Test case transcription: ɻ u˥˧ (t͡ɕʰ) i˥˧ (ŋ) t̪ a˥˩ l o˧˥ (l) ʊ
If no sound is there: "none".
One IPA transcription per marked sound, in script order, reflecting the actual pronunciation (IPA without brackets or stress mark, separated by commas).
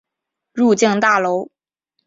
t͡ɕ, ŋ, none